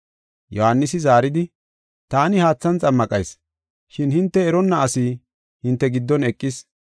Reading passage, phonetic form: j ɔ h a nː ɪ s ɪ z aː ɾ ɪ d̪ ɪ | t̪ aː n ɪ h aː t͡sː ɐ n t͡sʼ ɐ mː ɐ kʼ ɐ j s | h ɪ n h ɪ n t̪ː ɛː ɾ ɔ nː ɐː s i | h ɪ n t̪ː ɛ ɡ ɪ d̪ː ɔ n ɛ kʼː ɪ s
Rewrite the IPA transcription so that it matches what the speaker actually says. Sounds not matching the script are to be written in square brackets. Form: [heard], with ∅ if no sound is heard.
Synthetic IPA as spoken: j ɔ h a nː ɪ s ɪ z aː ɾ ɪ d̪ ɪ | t̪ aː n ɪ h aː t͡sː ɐ n t͡sʼ ɐ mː ɐ kʼ ɐ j s | [ʃ] ɪ n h ɪ n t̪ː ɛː ɾ ɔ nː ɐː s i | h ɪ n t̪ː ɛ ɡ ɪ d̪ː ɔ n ɛ kʼː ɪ s